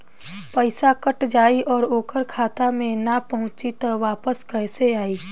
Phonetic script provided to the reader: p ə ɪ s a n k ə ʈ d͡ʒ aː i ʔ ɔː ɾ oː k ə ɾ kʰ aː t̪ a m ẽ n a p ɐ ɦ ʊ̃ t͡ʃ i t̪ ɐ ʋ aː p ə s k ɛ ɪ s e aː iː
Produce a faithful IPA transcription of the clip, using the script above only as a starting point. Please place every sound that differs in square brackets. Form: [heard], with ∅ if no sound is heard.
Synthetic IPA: p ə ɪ s a [∅] k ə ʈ d͡ʒ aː i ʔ ɔː ɾ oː k ə ɾ kʰ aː t̪ a m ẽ n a p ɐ ɦ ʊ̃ t͡ʃ i t̪ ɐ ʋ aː p ə s k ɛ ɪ s e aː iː

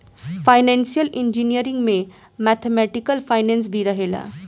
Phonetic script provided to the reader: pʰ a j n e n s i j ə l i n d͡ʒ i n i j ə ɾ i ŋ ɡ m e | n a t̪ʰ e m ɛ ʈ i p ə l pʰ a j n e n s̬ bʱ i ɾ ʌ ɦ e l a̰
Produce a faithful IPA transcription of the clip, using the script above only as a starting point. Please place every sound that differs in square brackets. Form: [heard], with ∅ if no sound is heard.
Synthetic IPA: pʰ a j n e n s i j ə l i n d͡ʒ i n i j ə ɾ i ŋ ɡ m e | [m] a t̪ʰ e m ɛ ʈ i [k] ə l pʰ a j n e n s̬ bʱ i ɾ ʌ ɦ e l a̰

